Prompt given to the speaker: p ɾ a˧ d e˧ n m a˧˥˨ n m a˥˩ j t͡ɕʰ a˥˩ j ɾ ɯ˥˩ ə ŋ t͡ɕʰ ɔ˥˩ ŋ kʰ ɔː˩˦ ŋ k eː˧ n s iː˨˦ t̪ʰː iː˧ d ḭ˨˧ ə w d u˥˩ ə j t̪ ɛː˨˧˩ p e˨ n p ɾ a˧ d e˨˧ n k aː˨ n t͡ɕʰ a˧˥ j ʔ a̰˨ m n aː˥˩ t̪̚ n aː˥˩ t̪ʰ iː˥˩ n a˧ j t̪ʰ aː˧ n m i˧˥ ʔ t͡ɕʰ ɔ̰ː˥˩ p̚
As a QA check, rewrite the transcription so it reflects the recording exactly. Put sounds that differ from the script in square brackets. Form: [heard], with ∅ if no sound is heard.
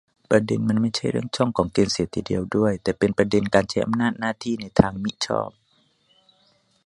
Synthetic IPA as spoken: p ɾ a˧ d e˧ n m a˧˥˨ n m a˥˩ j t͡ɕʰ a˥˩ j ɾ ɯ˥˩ ə ŋ t͡ɕʰ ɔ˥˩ ŋ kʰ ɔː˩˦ ŋ k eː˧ n s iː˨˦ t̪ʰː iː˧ d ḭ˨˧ ə w d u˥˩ ə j t̪ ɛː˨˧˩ p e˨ n p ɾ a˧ d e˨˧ n k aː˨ n t͡ɕʰ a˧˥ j ʔ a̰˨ m n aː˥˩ t̪̚ n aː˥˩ t̪ʰ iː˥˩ n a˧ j t̪ʰ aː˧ [ŋ] m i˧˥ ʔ t͡ɕʰ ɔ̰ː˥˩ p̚